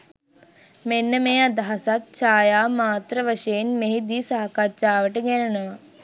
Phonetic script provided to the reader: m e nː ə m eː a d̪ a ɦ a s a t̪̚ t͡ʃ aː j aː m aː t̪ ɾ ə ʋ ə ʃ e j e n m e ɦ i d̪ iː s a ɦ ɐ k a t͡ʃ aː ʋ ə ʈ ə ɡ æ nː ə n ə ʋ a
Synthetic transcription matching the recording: m e nː ə m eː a d̪ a ɦ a s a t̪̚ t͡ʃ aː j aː m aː t̪ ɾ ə ʋ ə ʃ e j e n m e ɦ i d̪ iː s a ɦ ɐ k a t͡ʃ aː ʋ ə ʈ ə ɡ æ n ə n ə ʋ a